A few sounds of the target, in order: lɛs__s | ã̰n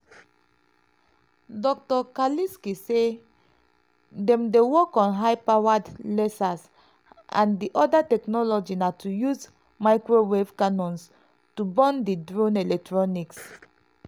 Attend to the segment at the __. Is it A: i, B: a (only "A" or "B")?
B